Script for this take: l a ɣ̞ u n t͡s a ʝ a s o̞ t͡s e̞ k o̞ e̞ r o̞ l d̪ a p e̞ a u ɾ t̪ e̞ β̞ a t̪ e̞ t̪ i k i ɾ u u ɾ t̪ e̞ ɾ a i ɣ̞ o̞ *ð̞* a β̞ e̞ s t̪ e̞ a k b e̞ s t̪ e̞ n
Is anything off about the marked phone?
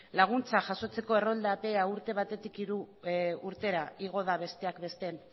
no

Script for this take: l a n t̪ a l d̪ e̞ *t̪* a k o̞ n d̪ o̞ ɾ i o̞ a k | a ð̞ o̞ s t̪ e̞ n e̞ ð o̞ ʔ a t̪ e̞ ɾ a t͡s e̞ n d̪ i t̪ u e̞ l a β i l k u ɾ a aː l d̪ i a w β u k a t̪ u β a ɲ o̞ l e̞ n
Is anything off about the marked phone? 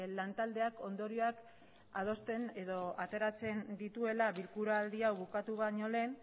yes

